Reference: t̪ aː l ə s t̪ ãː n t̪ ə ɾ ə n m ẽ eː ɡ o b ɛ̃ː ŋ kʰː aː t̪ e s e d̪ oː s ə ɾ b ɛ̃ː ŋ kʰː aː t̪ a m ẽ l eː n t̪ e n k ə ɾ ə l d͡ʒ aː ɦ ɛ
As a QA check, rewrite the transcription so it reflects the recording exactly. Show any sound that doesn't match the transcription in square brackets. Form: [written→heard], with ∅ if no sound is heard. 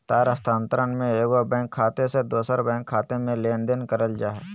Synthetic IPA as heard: t̪ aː [l→ɾ] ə s t̪ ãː n t̪ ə ɾ ə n m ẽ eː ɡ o b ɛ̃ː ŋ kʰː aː t̪ e s e d̪ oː s ə ɾ b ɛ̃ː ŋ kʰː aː t̪ [a→e] m ẽ l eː n [t̪→d̪] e n k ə ɾ ə l d͡ʒ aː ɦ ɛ